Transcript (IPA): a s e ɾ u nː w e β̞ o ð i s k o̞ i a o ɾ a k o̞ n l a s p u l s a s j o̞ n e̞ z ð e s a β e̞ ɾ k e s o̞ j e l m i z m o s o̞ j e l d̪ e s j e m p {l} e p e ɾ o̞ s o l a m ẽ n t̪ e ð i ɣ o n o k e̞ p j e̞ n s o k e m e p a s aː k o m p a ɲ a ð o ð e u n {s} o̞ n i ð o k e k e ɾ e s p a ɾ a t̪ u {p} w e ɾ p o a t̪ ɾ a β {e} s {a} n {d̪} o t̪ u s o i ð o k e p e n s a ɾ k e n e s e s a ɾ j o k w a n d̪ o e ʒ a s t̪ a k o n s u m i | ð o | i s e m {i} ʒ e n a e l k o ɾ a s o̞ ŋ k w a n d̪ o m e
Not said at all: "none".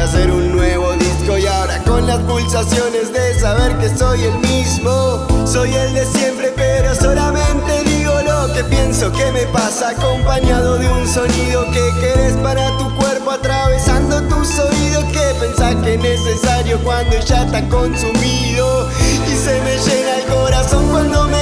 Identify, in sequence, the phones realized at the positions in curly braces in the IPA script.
ɾ, s, k, e, a, d̪, e

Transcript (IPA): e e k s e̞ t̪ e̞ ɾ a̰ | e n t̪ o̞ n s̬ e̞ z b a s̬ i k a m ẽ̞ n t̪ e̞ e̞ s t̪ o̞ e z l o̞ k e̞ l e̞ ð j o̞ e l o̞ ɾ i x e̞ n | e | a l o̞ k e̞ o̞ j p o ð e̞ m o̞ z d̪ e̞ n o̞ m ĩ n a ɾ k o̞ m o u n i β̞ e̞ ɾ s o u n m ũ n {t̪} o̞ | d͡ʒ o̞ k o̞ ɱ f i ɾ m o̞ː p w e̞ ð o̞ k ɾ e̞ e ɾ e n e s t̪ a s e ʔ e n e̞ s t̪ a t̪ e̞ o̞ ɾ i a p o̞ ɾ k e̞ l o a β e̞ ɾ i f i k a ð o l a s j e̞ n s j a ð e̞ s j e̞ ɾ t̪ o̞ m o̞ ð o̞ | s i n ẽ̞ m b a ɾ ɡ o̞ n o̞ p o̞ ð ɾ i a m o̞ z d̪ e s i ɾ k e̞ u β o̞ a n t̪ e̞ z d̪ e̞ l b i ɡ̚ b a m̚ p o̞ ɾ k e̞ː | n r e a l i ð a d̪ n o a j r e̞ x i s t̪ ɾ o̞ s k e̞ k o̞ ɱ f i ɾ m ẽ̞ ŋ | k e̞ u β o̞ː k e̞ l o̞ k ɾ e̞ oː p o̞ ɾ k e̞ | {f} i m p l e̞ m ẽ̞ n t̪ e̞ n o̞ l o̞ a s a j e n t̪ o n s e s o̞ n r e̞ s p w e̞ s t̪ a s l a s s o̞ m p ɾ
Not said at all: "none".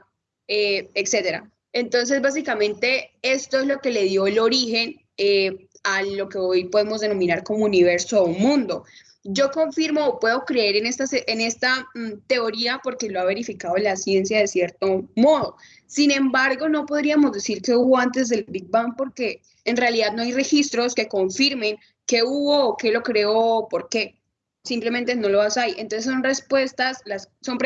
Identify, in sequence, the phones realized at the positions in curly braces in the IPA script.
d̪, s

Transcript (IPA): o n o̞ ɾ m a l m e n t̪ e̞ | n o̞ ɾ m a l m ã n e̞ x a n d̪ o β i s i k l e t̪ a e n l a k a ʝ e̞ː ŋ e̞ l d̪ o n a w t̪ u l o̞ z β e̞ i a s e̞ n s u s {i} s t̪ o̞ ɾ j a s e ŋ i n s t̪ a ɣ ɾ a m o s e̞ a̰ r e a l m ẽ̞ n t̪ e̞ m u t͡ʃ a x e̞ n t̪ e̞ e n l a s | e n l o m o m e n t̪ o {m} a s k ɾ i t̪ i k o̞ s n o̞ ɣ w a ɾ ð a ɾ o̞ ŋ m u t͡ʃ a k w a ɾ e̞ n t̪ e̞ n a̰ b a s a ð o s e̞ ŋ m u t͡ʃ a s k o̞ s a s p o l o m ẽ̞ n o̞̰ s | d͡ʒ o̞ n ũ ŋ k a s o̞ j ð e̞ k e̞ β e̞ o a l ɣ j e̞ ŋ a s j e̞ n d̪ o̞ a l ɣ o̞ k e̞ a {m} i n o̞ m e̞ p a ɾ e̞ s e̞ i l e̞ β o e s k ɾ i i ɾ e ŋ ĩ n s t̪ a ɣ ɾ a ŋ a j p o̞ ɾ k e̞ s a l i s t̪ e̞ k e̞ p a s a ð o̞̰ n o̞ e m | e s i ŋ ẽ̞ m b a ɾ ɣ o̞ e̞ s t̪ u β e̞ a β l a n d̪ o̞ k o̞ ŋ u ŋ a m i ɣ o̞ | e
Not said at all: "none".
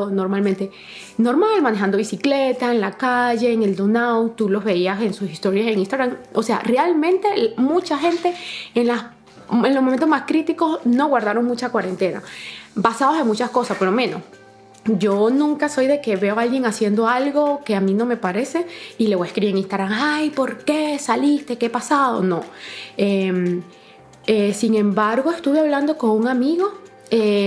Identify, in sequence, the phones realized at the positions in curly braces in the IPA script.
i, m, m

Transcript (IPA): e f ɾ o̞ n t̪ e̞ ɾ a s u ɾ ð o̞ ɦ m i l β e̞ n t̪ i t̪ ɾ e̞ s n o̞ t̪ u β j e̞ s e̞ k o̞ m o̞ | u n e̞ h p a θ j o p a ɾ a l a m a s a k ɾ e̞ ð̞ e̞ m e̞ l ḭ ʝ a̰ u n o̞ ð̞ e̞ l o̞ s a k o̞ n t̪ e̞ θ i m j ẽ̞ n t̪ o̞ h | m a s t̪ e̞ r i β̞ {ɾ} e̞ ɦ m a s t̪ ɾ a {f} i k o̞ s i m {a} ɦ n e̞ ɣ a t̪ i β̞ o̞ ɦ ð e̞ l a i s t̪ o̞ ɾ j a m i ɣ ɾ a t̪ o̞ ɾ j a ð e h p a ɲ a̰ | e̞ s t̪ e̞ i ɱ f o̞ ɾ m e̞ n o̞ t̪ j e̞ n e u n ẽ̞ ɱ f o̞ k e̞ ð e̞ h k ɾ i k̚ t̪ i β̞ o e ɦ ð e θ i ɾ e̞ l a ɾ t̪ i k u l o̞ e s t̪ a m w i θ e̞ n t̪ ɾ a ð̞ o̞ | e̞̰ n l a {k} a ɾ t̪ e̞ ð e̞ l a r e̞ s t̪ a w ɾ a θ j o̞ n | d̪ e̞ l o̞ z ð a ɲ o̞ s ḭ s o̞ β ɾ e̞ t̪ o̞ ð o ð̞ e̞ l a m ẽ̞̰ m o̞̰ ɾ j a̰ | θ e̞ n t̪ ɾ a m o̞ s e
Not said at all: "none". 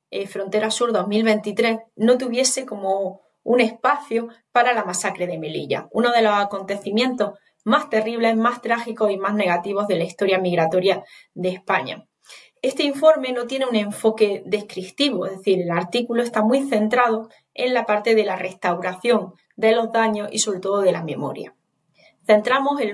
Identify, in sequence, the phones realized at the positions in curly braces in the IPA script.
l, x, a, p

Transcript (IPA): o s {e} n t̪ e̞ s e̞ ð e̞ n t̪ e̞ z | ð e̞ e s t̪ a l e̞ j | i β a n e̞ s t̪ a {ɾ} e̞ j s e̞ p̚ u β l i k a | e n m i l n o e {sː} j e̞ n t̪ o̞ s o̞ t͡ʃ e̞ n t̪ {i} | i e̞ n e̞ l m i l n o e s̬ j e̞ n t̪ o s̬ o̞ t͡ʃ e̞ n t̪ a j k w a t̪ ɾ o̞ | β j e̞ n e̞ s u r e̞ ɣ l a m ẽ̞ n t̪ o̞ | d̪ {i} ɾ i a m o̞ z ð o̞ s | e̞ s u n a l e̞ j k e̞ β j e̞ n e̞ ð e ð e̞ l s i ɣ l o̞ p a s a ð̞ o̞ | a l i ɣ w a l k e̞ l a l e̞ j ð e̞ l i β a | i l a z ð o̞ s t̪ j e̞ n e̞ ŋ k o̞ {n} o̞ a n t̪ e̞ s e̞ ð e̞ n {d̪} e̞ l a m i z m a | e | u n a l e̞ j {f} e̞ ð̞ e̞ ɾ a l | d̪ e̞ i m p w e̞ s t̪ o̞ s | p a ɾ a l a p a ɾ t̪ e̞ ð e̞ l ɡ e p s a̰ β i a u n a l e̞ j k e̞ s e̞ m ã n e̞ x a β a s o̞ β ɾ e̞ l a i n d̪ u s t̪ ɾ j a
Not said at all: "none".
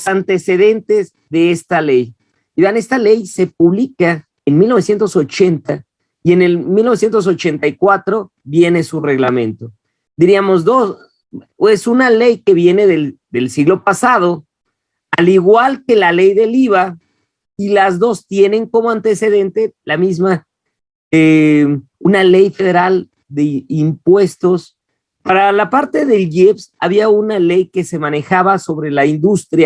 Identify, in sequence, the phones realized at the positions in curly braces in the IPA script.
a, l, s, a, i, m, t̪, f

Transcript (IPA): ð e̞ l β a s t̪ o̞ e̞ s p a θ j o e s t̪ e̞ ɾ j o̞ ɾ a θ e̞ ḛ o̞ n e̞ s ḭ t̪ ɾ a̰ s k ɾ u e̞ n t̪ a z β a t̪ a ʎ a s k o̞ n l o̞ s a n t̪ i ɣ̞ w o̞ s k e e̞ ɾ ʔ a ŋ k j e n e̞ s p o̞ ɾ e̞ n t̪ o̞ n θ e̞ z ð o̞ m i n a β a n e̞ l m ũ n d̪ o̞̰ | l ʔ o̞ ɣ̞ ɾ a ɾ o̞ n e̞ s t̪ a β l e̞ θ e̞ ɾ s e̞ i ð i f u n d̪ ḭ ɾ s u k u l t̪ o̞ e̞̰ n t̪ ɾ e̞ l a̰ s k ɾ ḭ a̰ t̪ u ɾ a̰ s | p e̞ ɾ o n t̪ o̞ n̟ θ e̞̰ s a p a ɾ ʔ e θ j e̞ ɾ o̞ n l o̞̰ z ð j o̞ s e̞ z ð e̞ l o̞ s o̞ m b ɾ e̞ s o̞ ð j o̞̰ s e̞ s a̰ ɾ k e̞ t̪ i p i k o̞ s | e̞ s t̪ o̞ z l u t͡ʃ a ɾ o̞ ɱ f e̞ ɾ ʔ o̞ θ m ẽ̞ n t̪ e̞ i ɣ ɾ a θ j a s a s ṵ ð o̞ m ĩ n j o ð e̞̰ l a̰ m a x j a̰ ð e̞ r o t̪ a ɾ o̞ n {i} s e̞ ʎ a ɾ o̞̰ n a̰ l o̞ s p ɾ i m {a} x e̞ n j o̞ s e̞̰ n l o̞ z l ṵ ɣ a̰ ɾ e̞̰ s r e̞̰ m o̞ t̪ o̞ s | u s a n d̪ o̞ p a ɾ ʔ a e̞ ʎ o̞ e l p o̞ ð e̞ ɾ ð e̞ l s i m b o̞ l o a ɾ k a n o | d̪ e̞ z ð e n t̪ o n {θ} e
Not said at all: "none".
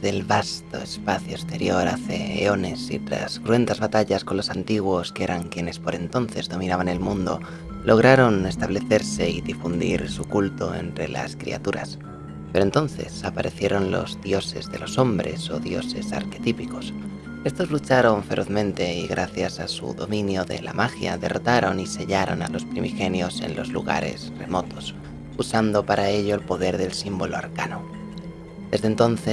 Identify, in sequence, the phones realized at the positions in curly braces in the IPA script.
i, i, θ

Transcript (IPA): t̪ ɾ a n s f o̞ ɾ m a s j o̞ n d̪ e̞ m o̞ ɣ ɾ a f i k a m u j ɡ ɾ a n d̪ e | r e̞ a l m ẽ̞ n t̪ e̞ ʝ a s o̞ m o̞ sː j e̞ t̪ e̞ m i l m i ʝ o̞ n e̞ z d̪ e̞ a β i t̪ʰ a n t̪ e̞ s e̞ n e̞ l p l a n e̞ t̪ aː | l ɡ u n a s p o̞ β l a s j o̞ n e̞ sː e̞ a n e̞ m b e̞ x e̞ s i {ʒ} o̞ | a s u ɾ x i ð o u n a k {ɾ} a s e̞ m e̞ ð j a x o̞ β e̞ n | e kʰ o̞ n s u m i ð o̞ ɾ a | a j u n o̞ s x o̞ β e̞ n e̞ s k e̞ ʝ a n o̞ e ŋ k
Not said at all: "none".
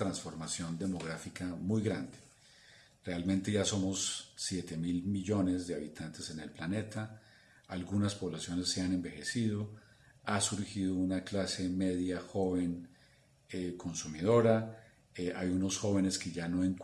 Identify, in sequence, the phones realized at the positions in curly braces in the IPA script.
ð, l

